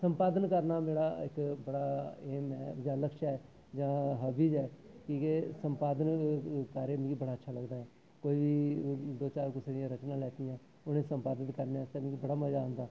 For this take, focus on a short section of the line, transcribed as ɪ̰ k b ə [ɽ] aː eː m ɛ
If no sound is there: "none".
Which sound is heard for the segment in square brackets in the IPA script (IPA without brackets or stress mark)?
ɽ